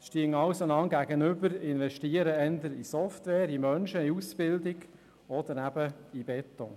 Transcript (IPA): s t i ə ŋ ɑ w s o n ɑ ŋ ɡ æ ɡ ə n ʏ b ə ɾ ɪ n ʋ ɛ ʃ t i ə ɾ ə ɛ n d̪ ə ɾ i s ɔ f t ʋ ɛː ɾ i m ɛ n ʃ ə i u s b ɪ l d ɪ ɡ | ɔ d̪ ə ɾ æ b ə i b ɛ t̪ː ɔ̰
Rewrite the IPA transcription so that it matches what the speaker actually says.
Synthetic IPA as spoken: ʃ t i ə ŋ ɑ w s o n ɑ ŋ ɡ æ ɡ ə n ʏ b ə ɾ ɪ n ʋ ɛ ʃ t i ə ɾ ə ɛ n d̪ ə ɾ i s ɔ f t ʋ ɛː ɾ i m œ n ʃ ə i u s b ɪ l d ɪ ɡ | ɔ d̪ ə ɾ æ b ə i b ɛ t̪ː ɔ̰

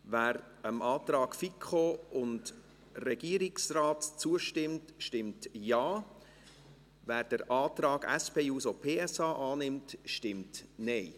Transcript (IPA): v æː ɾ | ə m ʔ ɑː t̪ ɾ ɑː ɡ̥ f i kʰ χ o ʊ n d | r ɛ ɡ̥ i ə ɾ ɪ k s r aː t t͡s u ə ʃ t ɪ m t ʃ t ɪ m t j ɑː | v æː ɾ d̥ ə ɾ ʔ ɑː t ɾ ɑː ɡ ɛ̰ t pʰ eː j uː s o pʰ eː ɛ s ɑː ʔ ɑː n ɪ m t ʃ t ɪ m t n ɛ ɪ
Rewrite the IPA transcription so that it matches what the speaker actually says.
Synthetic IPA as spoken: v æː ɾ | ə m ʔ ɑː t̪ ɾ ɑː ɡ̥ f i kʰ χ o ʊ n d | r ɛ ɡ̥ i ə ɾ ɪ k s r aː t t͡s u ə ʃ t ɪ m t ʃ t ɪ m t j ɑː | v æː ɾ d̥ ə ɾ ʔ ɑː t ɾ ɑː ɡ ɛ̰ s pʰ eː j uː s o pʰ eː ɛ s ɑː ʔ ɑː n ɪ m t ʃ t ɪ m t n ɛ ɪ

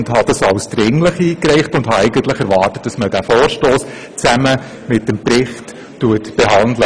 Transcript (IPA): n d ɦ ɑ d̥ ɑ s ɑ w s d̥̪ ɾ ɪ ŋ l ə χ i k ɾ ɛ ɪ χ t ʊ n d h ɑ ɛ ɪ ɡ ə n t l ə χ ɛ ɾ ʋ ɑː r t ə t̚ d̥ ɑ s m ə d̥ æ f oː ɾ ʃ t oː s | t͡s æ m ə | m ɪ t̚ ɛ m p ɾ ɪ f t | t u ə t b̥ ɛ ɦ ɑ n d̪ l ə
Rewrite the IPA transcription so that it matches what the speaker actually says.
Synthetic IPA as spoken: n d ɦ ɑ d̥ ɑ s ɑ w s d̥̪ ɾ ɪ ŋ l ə χ iː k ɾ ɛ ɪ χ t ʊ n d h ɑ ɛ ɪ ɡ ə n t l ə χ ɛ ɾ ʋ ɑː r t ə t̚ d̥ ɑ s m ə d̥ æ f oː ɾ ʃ t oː s | t͡s æ m ə | m ɪ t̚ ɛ m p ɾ ɪ χ t | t u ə t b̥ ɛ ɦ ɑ n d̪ l ə

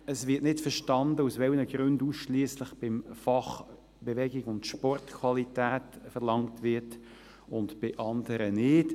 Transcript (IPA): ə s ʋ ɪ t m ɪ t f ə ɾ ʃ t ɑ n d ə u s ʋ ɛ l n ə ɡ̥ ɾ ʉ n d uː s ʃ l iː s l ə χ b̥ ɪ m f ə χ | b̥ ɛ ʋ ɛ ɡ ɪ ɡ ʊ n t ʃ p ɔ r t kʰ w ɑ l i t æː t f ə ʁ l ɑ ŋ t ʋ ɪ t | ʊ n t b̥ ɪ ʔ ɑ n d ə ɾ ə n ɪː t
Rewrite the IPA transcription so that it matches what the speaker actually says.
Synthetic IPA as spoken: ə s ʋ ɪ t n ɪ t f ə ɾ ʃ t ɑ n d ə u s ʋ ɛ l n ə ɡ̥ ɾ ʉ n d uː s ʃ l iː s l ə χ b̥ ɪ m f ɑ χ | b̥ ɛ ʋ ɛ ɡ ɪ ɡ ʊ n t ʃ p ɔ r t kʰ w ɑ l i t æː t f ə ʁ l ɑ ŋ t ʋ ɪ t | ʊ n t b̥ ɪ ʔ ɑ n d ə ɾ ə n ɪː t

